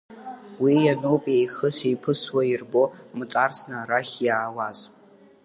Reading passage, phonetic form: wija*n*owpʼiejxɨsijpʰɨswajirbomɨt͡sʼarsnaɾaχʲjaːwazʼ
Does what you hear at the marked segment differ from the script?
no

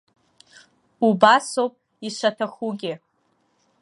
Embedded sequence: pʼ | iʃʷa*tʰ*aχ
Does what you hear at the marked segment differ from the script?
no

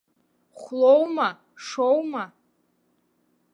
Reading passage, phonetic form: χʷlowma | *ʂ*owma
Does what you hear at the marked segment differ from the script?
no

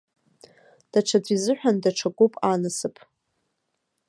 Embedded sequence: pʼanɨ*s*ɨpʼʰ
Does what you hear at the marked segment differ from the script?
no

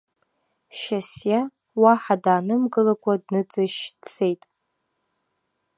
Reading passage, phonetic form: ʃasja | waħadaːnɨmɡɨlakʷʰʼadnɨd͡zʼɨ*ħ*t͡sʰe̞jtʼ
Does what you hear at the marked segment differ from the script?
yes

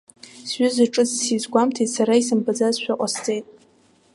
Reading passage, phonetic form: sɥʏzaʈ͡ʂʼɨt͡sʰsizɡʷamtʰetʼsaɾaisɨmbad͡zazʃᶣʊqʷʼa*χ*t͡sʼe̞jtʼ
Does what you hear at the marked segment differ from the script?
yes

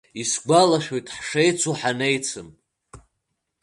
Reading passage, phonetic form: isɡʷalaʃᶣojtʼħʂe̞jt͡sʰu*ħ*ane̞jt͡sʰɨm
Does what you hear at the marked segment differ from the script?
no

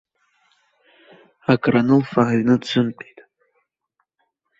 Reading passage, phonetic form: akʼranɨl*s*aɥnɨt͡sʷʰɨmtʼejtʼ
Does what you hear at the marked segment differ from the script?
yes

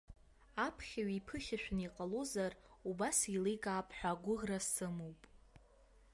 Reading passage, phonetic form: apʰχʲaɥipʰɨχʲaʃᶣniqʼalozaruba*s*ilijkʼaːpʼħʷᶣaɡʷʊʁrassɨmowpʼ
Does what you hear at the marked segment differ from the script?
no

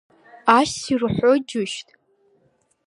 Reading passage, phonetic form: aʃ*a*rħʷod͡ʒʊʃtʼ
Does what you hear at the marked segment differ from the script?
yes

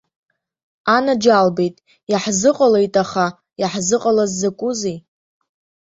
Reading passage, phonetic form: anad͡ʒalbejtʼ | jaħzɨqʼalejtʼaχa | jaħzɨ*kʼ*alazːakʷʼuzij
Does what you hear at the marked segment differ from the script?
yes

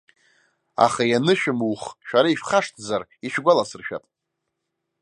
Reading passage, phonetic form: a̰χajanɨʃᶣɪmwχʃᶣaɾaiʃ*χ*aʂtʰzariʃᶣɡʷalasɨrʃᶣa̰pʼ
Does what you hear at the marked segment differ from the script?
no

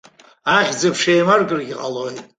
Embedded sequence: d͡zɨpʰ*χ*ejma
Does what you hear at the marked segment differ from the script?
yes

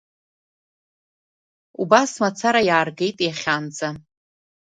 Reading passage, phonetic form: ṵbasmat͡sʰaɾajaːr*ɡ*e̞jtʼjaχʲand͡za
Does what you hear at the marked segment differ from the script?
no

